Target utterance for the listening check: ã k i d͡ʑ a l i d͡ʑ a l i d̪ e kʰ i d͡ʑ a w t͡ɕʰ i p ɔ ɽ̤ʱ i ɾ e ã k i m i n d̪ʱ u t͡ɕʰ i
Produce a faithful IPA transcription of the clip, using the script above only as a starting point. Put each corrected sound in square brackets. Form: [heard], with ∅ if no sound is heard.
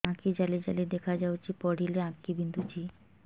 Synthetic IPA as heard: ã k i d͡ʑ a l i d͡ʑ a l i d̪ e kʰ [a] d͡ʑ a w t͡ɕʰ i p ɔ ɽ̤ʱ i [l] e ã k i [b] i n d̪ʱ u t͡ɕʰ i